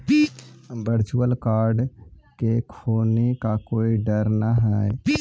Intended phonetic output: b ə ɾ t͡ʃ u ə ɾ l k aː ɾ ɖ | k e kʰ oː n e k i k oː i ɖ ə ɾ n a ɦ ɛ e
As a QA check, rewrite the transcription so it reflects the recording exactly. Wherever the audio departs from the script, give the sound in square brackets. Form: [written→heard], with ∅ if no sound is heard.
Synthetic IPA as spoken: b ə ɾ t͡ʃ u ə [ɾ→∅] l k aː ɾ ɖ | k e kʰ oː n e k [i→a] k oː i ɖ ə ɾ n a ɦ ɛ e